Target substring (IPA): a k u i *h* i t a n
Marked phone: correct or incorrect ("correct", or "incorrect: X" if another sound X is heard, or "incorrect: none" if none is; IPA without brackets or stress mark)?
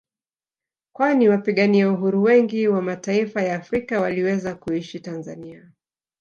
incorrect: ʃ